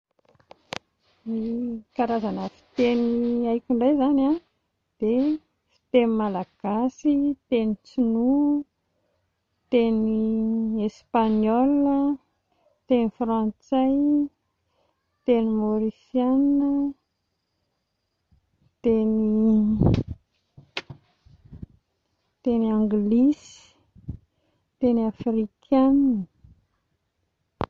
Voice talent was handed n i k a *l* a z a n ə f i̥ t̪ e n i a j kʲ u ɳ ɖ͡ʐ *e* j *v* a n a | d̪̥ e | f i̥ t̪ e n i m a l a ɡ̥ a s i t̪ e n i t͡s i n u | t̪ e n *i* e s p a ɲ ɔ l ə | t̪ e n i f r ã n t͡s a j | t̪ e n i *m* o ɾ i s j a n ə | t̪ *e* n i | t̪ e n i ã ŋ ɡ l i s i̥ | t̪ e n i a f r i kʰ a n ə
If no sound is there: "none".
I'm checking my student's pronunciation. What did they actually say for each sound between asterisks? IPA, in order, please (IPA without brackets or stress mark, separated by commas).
ɾ, a, z, i, m, e